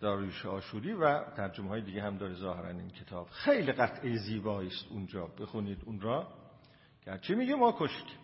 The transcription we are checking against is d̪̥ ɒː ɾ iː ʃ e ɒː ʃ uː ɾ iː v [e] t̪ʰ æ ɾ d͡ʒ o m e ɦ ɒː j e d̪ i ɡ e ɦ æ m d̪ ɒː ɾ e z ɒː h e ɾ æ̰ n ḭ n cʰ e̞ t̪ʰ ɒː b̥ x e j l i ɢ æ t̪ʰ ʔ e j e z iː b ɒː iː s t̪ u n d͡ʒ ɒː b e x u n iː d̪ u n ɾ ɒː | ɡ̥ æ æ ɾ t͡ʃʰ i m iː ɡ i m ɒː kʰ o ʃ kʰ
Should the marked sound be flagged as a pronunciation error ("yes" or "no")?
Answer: yes